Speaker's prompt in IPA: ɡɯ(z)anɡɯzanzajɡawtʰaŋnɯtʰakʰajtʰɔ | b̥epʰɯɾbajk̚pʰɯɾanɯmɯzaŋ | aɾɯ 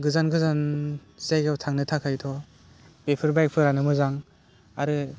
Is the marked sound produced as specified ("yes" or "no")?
yes